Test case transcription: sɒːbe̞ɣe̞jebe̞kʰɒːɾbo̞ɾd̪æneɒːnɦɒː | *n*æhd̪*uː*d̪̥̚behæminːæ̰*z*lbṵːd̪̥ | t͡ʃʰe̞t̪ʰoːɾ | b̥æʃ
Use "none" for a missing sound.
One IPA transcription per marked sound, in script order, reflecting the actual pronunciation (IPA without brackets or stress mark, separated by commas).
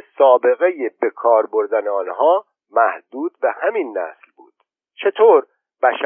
m, uː, s